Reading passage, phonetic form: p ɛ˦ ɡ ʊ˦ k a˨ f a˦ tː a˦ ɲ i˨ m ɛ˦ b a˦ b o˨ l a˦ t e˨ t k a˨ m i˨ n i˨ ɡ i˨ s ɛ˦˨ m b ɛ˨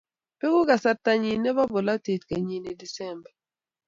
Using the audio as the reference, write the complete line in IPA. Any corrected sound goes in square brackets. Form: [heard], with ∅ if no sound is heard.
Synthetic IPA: p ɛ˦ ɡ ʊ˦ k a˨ [s] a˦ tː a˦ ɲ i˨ [n] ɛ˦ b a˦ b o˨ l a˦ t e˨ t k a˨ [ɲ] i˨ n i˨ [d] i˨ s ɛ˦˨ m b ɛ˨